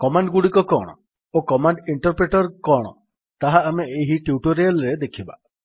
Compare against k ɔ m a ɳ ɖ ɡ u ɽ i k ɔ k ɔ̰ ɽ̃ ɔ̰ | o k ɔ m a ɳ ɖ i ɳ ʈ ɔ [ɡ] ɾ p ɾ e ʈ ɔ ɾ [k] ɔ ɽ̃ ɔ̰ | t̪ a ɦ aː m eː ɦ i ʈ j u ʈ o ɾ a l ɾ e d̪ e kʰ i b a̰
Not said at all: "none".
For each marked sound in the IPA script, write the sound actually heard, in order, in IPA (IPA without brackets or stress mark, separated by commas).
none, k